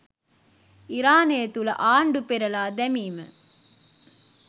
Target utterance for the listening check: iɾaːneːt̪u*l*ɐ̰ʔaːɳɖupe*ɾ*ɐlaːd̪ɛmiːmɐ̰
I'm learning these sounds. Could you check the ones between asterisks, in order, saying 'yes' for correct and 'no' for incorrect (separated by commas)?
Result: yes, yes